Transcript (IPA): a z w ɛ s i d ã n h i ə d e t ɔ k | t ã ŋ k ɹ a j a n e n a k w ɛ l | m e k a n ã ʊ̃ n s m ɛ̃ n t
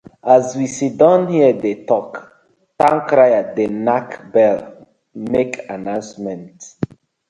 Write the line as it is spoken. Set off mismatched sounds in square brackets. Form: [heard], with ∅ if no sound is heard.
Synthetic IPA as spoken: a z w [i] s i d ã n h i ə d e t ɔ k | t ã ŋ k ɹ a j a [d] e n a k [b] ɛ l | m e k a n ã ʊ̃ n s m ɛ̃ n t